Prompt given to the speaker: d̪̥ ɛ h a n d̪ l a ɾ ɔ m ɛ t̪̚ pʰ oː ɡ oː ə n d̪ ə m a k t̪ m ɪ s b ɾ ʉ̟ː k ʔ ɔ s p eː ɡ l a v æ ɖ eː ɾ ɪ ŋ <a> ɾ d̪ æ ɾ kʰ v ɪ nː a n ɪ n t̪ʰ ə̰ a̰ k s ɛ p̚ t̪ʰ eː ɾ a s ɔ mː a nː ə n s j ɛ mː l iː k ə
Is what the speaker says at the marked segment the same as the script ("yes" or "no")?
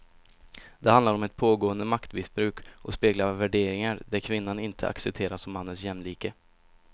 yes